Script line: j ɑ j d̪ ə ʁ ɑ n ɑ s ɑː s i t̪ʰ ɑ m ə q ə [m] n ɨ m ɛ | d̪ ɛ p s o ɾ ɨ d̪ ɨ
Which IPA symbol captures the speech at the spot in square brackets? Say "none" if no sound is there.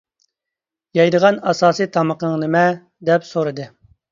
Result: ŋ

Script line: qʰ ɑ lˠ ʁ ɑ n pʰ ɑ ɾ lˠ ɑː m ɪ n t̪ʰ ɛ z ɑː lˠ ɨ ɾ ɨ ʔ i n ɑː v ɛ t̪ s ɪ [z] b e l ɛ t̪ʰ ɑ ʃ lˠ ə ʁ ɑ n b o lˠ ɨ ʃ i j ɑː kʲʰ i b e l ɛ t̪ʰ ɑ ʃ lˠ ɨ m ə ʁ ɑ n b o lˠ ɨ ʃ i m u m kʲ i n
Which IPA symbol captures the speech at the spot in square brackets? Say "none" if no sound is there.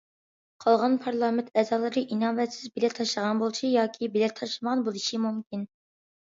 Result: z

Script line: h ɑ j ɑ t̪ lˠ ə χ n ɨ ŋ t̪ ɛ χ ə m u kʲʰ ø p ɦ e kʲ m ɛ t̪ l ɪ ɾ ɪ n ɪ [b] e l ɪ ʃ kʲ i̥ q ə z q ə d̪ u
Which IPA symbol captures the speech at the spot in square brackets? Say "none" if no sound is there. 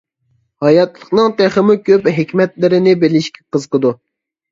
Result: b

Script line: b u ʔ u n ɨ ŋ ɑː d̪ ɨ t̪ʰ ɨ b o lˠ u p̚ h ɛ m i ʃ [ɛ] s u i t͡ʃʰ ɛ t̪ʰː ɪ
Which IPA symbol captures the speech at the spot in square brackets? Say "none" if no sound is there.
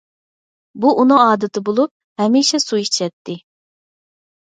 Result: ɛ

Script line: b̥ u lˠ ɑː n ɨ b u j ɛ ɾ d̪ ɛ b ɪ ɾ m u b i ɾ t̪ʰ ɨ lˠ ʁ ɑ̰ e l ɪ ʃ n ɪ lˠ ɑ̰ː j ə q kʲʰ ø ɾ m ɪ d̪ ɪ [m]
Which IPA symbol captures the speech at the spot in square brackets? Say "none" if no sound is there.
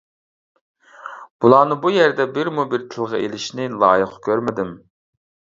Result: m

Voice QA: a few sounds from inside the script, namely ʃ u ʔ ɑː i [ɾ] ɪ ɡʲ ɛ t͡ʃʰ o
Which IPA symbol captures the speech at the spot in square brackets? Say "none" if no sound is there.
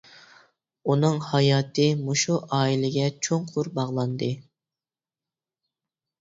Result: l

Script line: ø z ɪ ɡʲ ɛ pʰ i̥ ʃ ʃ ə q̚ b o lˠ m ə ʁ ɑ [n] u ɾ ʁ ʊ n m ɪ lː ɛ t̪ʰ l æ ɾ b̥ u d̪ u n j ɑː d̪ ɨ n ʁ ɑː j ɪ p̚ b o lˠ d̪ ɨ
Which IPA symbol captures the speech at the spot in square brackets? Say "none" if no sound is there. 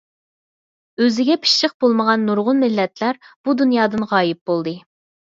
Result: nː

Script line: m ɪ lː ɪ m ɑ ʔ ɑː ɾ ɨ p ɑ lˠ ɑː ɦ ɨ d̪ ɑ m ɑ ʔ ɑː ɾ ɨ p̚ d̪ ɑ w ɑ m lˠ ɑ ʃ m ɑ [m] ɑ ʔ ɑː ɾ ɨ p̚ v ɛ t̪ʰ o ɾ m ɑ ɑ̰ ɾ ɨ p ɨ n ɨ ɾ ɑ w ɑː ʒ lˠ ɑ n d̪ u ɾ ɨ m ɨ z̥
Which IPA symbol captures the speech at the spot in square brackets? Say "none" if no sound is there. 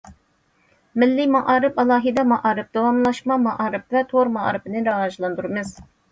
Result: m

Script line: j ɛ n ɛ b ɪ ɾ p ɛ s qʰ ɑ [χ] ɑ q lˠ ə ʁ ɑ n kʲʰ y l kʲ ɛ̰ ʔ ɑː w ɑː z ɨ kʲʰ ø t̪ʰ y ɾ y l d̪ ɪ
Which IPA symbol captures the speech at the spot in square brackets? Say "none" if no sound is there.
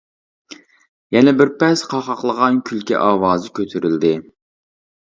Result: χ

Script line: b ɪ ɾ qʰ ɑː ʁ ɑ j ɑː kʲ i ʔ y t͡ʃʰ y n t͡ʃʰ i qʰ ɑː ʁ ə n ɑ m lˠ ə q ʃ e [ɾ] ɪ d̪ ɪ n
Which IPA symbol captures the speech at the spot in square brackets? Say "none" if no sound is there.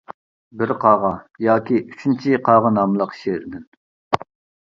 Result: ɾ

